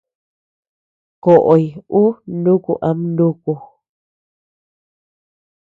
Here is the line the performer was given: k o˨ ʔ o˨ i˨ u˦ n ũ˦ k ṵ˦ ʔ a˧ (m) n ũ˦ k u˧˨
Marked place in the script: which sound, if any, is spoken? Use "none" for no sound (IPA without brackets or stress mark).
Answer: m